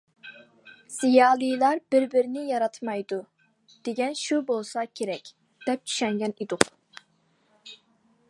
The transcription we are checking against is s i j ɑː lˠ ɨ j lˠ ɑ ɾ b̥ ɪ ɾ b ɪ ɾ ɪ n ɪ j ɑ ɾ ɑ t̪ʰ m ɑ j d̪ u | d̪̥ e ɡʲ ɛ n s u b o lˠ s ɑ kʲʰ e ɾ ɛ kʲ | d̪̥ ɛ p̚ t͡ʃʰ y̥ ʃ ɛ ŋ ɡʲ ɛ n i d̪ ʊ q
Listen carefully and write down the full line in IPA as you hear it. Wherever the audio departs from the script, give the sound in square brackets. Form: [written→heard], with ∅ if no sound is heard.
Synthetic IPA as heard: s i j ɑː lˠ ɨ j lˠ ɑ ɾ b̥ ɪ ɾ b ɪ ɾ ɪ n ɪ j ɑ ɾ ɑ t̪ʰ m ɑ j d̪ u | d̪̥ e ɡʲ ɛ n [s→ʃ] u b o lˠ s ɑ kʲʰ e ɾ ɛ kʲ | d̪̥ ɛ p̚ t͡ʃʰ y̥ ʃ ɛ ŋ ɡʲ ɛ n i d̪ ʊ q